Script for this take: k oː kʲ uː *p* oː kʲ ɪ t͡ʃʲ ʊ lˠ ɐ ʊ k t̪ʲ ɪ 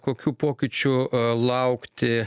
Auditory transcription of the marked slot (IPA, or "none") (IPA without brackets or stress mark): p